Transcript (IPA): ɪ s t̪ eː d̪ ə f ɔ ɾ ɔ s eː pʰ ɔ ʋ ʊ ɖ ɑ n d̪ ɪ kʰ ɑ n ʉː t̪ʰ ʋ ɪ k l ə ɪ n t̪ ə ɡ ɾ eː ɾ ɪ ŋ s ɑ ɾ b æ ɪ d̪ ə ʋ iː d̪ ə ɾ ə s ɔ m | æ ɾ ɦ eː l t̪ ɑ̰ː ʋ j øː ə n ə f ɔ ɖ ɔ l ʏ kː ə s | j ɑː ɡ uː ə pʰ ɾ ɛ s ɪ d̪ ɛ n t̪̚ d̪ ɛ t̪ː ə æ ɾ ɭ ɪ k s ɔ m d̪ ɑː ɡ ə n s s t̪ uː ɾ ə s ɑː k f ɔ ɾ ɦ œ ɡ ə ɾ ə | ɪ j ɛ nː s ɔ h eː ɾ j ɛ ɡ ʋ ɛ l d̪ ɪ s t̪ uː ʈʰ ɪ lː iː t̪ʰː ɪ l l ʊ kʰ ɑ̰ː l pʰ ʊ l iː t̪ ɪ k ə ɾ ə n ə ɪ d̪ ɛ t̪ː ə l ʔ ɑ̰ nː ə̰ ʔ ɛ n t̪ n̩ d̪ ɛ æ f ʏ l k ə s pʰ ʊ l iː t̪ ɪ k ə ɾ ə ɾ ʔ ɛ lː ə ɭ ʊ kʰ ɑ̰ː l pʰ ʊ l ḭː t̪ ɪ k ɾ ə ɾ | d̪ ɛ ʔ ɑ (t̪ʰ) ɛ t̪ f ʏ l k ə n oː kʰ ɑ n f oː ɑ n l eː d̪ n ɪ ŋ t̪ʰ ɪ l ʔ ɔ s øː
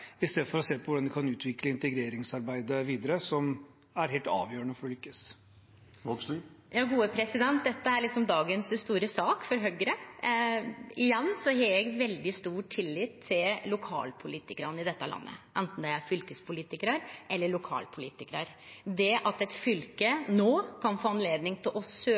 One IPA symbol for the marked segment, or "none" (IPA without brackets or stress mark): t̪